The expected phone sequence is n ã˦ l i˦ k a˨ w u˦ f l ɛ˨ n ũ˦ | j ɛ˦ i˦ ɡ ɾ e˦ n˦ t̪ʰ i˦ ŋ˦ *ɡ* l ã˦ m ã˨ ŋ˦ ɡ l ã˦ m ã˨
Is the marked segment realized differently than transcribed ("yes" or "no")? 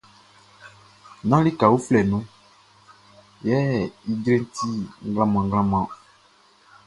no